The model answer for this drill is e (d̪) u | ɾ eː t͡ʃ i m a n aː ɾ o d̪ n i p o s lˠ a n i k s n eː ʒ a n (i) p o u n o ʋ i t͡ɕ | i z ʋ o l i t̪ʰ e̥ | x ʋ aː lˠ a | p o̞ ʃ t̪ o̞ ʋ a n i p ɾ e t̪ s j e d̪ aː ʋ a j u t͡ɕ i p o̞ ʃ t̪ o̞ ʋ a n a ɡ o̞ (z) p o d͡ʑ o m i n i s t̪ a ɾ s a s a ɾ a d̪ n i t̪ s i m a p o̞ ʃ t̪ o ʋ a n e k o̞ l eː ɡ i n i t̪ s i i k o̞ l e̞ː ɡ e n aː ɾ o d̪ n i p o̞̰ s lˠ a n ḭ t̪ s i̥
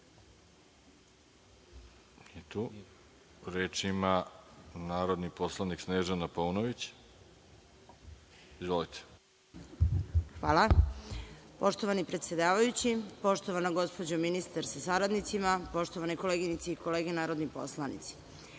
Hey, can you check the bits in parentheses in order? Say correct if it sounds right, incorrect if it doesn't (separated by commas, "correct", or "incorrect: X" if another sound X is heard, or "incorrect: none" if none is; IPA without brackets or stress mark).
incorrect: t̪, incorrect: a, incorrect: s